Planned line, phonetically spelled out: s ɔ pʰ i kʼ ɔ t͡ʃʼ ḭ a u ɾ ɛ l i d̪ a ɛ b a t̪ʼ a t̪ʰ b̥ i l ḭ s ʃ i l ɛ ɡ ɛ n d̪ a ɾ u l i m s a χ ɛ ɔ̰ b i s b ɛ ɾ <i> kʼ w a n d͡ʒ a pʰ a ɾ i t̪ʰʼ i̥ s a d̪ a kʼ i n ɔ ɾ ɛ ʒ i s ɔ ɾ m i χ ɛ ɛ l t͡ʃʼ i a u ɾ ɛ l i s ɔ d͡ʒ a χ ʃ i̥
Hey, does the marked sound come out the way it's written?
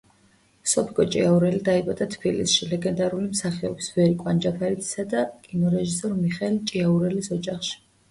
yes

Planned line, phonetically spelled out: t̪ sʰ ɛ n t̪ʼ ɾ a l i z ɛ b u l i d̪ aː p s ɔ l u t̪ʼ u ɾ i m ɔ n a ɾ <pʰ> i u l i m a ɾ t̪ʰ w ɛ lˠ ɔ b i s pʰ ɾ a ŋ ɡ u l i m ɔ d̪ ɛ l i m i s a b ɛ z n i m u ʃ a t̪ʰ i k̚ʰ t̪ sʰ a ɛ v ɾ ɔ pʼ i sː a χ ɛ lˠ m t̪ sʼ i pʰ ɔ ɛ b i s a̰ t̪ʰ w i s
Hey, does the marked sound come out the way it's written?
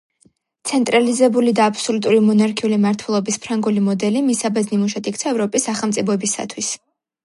no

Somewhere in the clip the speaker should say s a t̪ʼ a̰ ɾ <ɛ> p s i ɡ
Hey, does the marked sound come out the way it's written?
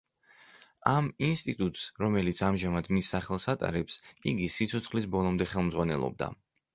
yes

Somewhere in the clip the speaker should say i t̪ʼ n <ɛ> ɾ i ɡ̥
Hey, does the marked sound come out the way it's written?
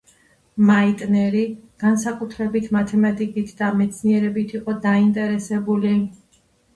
yes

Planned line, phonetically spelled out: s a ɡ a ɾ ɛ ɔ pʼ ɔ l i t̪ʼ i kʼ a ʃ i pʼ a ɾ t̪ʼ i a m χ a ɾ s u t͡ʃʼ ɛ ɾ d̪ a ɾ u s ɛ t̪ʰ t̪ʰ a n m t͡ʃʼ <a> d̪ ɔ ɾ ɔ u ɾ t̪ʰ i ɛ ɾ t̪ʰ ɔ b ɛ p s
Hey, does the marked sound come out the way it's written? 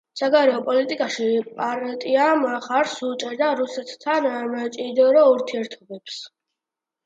no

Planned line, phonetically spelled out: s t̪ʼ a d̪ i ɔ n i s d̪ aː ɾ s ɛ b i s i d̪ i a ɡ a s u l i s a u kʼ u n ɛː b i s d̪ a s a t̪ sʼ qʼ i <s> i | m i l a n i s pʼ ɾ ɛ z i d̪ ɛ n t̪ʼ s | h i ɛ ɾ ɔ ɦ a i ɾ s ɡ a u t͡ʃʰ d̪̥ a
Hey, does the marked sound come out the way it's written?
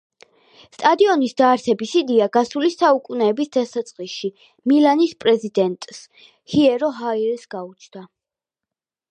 no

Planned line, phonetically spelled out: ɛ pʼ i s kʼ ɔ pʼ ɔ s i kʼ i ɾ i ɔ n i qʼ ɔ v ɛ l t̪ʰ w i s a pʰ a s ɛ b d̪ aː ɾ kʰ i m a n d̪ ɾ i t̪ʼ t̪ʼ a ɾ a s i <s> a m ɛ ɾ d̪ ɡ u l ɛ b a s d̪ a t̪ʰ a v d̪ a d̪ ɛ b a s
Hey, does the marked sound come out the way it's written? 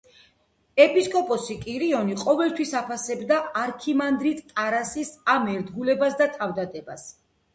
yes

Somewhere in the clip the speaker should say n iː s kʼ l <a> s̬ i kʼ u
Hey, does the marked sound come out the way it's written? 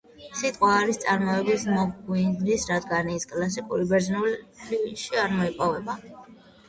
yes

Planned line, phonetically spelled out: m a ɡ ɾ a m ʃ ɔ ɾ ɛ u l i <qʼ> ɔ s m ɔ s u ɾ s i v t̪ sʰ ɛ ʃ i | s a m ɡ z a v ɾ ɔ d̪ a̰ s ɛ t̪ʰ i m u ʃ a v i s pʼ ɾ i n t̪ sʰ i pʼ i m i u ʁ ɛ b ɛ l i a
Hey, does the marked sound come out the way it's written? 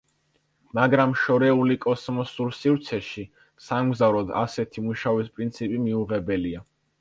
no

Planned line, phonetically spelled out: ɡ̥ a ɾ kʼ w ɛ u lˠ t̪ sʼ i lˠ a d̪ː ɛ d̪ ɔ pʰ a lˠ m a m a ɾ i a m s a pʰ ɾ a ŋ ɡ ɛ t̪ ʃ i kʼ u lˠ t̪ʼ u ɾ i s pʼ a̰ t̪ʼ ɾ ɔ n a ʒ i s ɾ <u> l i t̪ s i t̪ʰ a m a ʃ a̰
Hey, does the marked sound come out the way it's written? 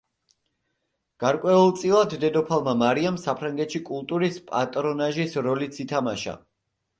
no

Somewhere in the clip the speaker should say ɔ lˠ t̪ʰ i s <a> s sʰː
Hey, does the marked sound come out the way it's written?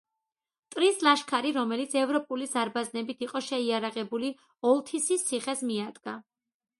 no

